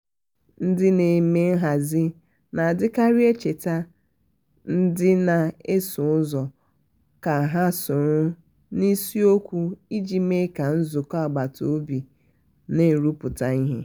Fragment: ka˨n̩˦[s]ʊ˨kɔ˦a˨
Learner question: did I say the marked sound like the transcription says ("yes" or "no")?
no